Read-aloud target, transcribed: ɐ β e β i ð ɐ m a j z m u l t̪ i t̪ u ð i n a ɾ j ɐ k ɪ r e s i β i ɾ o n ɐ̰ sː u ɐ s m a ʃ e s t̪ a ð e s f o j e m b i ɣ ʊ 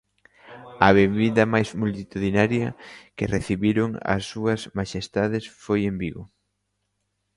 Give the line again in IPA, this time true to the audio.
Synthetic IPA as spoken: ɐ β e β i ð ɐ m a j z m u l t̪ i t̪ u ð i n a ɾ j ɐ k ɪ r e θ i β i ɾ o ŋ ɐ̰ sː u ɐ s m a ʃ e s t̪ a ð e s f o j e m b i ɣ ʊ